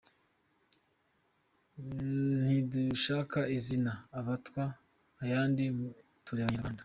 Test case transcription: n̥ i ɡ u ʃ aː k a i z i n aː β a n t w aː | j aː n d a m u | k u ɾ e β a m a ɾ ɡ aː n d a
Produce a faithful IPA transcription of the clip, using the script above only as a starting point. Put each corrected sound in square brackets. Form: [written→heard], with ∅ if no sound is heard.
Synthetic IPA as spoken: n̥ i [ɡ→d] u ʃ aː k a i z i n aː β a [n→∅] t w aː | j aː n d [a→i] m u | [k→t] u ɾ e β a [m→ɲ] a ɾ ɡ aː n d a